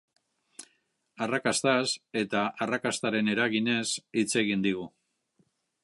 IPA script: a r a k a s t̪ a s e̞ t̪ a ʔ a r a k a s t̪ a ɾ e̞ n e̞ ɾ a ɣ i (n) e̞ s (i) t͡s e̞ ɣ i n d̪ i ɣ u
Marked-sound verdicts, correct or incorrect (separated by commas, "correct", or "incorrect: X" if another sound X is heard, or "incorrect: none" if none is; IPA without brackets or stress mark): correct, correct